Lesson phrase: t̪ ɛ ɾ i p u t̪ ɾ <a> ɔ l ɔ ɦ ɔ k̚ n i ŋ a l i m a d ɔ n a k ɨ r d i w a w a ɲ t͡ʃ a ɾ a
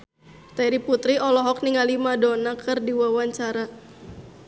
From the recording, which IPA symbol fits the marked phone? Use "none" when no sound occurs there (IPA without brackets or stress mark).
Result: i